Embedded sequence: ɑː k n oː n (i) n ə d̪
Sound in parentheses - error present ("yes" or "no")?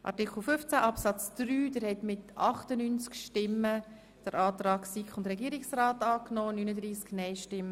yes